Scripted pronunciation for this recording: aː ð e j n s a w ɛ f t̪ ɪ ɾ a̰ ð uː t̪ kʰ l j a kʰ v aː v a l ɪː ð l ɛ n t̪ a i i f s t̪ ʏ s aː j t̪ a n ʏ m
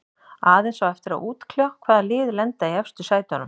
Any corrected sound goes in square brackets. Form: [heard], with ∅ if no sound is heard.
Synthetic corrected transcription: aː ð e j n s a w ɛ f t̪ ɪ ɾ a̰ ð uː t̪ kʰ l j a kʰ v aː [ð] a l ɪː ð l ɛ n t̪ a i [ɛ] f s t̪ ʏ s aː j t̪ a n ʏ m

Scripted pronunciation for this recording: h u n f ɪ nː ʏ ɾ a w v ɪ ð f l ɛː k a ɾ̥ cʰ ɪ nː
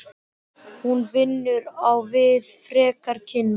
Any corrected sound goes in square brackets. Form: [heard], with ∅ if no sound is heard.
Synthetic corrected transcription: h u n [v] ɪ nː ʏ ɾ a w v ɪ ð f [ɾ] ɛː k a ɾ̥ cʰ ɪ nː

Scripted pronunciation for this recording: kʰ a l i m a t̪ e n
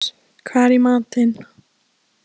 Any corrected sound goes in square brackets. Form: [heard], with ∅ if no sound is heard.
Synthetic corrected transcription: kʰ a [ɾ] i m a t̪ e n

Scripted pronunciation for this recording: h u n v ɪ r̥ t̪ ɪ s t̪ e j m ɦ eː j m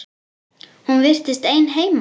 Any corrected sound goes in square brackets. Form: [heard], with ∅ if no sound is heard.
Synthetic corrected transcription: h u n v ɪ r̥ t̪ ɪ s t̪ e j [n] ɦ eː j m

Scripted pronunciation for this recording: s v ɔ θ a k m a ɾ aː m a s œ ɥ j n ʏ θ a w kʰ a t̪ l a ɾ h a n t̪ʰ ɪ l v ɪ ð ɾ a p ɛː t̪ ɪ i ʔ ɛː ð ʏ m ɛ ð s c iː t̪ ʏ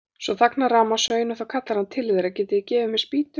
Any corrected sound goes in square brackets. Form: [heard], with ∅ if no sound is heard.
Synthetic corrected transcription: s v ɔ θ a k [n] a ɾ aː m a s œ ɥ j n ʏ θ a w kʰ a t̪ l a ɾ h a n t̪ʰ ɪ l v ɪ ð ɾ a [c] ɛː t̪ ɪ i [c] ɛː [v] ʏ m ɛ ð s [p] iː t̪ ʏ

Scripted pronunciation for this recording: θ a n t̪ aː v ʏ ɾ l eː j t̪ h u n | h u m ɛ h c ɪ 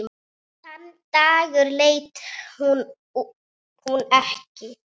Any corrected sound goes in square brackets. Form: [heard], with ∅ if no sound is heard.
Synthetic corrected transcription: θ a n t̪ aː [ɣ] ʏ ɾ l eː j t̪ h u n | h u [n] ɛ h c ɪ

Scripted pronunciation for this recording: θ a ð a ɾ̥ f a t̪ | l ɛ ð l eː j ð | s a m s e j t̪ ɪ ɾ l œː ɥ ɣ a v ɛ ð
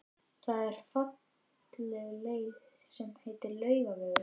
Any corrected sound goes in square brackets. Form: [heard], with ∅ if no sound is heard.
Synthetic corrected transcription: θ a ð [ɛ] ɾ̥ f a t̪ | l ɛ [ɣ] l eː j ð | s [ɛ] m [h] e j t̪ ɪ ɾ l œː ɥ ɣ a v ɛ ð

